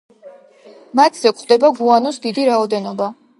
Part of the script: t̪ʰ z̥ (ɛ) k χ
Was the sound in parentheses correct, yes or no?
yes